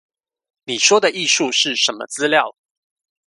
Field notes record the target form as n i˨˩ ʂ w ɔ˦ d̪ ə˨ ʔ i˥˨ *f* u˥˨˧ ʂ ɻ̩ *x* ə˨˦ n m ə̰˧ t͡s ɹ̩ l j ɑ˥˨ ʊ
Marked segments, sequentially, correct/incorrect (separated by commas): incorrect, incorrect